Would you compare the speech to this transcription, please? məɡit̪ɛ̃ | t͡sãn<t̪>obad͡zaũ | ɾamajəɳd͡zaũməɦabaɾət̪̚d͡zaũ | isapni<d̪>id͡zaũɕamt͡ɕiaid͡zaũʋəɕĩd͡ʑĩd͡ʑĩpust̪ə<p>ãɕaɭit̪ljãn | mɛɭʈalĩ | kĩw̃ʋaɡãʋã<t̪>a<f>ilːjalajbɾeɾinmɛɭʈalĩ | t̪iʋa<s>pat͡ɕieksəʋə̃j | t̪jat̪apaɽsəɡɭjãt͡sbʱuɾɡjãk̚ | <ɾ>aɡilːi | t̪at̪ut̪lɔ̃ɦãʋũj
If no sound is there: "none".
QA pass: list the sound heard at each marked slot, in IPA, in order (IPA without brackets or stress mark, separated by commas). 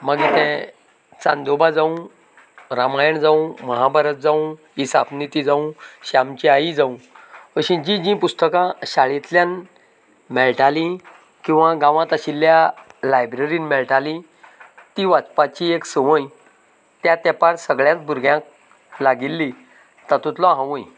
d̪, t̪, k, t̪, ɕ, t͡s, l